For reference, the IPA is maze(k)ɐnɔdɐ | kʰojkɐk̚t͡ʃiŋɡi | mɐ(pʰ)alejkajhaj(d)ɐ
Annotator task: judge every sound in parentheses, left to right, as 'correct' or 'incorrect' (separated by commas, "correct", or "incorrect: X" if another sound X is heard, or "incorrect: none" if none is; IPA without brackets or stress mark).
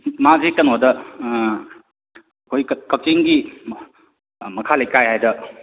correct, incorrect: kʰ, correct